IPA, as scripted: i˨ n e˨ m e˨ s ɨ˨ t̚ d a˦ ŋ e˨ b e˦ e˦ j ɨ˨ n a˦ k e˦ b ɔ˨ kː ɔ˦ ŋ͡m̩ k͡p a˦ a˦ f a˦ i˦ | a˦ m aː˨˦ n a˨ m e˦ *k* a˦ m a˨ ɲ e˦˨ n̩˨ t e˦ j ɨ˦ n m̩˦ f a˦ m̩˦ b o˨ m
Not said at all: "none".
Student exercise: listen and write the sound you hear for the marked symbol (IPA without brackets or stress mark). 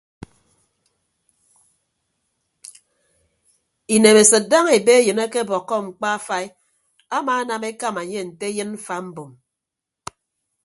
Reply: k